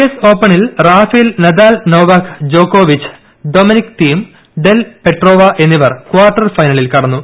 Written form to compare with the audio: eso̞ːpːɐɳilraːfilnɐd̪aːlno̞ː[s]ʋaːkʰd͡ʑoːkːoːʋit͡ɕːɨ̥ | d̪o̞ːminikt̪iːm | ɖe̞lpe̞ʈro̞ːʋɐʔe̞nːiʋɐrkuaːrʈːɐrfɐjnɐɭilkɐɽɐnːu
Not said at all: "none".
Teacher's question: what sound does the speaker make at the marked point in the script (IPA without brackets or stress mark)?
none